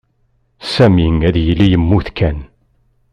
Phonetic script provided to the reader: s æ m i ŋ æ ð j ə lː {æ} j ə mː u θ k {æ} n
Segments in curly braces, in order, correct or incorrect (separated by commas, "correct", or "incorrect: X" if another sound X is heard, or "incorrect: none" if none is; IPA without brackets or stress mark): incorrect: i, correct